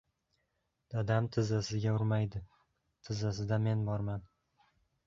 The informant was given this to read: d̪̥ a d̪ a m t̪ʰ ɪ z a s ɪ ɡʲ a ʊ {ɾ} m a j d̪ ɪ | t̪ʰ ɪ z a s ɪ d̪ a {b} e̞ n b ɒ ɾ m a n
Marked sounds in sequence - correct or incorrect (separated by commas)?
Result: correct, incorrect